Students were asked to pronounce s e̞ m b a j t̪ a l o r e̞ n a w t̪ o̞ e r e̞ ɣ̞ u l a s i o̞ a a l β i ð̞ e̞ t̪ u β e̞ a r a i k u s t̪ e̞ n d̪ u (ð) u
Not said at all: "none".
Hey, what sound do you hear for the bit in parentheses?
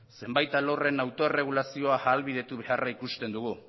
ɣ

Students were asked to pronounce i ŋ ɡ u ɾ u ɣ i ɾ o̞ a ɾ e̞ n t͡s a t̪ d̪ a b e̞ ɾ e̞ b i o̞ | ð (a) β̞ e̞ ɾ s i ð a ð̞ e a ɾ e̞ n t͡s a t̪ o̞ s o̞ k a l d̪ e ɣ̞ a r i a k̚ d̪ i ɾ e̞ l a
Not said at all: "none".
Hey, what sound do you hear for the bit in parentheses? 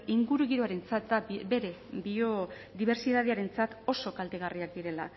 i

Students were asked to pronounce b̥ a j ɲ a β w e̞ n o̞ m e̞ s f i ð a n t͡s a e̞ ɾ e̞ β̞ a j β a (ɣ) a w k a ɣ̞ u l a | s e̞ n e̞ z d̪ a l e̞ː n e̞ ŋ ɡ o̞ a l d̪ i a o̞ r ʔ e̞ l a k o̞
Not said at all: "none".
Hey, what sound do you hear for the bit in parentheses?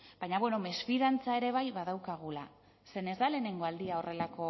ð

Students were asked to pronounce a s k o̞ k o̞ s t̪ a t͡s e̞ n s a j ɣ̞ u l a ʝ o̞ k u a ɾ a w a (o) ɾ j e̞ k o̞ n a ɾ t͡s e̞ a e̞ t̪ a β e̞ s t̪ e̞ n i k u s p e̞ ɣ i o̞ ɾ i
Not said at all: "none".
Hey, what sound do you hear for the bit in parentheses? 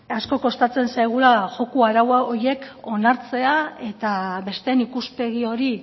o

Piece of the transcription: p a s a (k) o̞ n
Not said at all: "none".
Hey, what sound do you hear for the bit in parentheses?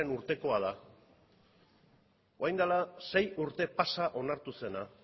ʔ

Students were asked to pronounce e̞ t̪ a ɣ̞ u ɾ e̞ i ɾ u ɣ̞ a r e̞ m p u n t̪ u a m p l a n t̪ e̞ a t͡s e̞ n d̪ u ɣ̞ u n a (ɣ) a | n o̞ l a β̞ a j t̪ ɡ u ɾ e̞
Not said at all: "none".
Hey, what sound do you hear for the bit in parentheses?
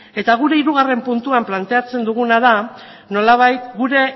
ð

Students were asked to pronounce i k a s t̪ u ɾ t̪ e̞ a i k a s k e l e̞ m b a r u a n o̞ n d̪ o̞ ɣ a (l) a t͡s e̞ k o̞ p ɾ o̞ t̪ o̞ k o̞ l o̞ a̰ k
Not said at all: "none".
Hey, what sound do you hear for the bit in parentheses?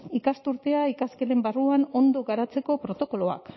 ɾ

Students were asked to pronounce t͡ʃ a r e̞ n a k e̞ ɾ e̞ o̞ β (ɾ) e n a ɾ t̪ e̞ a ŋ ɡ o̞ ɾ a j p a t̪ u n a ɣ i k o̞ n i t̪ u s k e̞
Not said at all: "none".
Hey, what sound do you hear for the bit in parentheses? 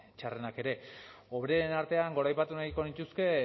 ɾ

